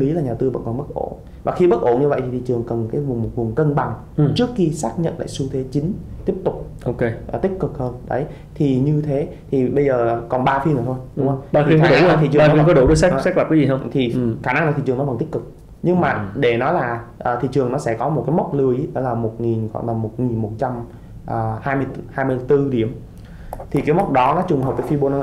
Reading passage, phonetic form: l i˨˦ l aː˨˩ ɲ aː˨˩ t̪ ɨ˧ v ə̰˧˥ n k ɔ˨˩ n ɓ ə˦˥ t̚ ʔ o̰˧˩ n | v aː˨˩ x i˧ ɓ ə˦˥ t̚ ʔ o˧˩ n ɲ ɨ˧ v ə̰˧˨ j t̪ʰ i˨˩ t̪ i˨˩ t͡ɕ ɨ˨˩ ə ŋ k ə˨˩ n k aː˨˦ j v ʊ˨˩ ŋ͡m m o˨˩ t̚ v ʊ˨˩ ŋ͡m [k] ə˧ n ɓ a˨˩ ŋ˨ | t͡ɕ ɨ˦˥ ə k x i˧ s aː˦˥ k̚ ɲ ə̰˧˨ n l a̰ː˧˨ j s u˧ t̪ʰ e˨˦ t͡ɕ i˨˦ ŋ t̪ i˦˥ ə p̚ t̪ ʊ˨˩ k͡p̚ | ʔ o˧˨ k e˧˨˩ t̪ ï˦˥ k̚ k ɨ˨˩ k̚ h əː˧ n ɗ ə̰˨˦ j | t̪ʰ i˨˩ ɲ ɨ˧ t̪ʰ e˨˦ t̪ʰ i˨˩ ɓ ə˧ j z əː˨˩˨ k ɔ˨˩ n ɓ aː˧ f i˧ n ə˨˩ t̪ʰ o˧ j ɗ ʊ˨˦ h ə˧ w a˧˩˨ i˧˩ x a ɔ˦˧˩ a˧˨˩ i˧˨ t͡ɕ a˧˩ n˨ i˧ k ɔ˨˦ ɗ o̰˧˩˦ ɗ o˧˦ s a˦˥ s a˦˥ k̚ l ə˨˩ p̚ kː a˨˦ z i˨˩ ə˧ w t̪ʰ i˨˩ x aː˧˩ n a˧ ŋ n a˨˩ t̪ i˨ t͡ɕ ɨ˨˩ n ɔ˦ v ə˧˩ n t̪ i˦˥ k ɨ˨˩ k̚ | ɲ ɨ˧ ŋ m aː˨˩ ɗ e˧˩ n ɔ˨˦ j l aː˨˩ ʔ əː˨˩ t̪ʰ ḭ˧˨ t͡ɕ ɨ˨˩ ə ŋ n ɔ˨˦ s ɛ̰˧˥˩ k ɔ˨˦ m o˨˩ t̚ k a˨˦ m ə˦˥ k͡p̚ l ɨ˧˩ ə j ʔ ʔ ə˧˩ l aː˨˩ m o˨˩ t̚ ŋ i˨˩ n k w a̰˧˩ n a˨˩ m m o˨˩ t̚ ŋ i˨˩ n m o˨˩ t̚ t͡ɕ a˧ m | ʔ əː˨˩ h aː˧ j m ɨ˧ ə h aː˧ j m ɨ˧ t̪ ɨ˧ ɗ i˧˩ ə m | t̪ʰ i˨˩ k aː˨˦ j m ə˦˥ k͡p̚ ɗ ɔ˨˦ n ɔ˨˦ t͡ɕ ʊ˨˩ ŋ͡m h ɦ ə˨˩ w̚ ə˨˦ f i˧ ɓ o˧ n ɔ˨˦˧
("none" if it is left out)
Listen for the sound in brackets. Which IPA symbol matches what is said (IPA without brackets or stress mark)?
k